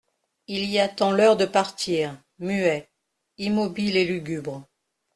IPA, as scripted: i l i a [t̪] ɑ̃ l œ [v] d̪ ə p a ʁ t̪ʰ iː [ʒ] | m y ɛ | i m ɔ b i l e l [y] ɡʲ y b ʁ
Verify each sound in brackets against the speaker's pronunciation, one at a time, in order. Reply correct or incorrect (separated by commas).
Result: correct, incorrect, incorrect, correct